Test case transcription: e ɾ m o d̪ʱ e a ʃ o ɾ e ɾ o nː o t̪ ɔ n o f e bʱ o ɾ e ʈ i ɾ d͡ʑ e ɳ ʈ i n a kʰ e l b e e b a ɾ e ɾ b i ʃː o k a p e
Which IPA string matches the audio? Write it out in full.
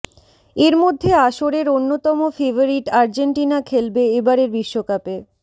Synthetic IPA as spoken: e ɾ m o d̪ʱː e a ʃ o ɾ e ɾ o nː o t̪ ɔ m o f e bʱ o ɾ i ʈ a ɾ d͡ʑ e ɳ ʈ i n a kʰ e l b e e b a ɾ e ɾ b i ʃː o k a p e